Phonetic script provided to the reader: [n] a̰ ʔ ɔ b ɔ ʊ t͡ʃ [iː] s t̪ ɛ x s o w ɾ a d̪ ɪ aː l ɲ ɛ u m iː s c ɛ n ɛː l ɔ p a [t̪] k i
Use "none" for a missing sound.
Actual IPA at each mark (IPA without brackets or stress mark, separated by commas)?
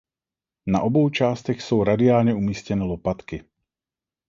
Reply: n, aː, t̪